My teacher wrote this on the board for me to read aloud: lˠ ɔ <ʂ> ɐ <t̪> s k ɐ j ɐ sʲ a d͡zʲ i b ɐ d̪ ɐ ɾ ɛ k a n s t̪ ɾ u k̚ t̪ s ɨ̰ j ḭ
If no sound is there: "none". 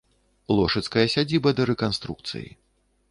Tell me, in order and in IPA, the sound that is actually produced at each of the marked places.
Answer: ʂ, t̪

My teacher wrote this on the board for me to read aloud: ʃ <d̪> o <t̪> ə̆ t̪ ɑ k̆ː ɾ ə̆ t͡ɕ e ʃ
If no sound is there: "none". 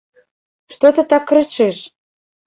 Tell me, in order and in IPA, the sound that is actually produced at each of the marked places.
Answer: t̪, t̪

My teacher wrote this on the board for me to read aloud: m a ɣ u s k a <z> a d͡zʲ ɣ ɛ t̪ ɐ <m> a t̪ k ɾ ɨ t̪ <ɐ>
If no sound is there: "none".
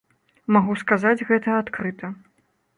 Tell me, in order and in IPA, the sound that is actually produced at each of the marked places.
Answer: z, none, ɐ

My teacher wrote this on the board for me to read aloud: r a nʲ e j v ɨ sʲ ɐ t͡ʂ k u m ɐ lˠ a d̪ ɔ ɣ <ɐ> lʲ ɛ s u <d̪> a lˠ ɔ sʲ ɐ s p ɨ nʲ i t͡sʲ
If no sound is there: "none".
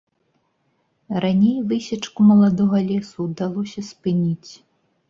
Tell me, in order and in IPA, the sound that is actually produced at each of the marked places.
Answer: ɐ, d̪

